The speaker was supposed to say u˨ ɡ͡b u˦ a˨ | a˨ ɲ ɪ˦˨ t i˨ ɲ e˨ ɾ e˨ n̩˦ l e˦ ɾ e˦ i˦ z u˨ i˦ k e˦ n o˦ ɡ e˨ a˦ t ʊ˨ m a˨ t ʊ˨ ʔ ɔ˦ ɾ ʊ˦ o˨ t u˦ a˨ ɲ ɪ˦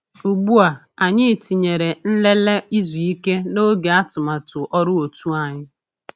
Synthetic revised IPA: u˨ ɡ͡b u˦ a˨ | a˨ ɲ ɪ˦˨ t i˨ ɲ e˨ ɾ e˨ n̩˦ l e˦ l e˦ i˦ z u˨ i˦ k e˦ n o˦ ɡ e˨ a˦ t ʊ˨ m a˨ t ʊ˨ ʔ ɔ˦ ɾ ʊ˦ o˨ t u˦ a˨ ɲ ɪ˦